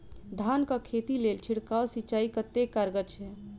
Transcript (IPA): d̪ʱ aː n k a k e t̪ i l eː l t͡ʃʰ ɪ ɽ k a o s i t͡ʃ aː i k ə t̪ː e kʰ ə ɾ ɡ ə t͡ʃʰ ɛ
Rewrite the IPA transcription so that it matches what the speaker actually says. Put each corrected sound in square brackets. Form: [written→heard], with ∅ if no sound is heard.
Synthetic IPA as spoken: d̪ʱ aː n k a [k→kʰ] e t̪ i l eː l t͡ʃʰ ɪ ɽ k a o s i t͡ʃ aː i k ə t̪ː e [kʰ→k] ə ɾ ɡ ə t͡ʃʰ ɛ